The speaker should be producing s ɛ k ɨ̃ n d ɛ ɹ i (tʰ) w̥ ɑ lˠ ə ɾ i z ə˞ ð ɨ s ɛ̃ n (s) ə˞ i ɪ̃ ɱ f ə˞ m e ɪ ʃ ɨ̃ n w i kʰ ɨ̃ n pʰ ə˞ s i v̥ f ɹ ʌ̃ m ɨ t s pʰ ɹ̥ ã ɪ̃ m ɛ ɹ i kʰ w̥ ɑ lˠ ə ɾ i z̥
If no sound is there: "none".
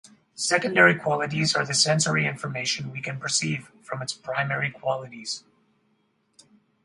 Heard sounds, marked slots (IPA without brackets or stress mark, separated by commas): kʰ, s